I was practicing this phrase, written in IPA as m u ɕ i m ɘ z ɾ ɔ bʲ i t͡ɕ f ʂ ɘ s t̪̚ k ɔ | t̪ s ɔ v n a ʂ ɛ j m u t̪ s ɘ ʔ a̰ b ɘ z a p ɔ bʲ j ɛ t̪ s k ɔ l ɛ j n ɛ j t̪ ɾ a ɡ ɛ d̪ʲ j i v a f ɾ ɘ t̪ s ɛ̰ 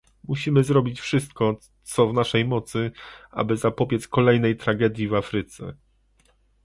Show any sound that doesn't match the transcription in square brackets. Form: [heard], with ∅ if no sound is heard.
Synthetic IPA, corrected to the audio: m u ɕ i m ɘ z ɾ ɔ bʲ i t͡ɕ f ʂ ɘ s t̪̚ k ɔ | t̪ s ɔ v n a ʂ ɛ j m [ɔ] t̪ s ɘ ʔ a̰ b ɘ z a p ɔ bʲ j ɛ t̪ s k ɔ l ɛ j n ɛ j t̪ ɾ a ɡ ɛ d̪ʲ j i v a f ɾ ɘ t̪ s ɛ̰